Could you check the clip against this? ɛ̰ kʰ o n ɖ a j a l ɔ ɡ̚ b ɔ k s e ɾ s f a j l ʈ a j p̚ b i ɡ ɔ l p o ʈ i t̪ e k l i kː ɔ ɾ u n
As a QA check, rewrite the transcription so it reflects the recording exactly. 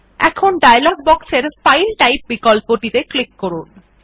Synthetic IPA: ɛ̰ kʰ o n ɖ a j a l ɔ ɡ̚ b ɔ k s e ɾ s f a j l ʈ a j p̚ b i k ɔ l p o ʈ i t̪ e k l i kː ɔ ɾ u n